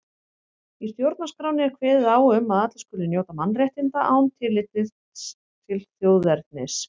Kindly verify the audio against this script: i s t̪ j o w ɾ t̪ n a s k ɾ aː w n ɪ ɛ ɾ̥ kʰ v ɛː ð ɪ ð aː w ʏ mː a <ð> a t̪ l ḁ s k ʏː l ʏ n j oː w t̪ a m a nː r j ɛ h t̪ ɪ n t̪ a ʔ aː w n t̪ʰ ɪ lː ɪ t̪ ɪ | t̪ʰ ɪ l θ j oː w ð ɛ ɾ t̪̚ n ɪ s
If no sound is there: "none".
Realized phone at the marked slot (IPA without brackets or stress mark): ð